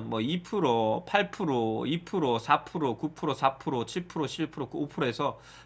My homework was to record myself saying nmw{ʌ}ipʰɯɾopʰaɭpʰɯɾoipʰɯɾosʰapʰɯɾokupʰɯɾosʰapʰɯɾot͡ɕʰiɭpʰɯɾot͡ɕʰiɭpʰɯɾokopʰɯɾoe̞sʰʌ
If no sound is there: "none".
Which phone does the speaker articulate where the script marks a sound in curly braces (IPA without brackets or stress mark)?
ʌ